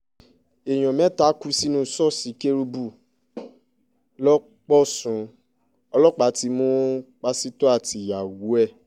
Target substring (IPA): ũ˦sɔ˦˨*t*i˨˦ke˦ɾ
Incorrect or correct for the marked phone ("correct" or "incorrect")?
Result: incorrect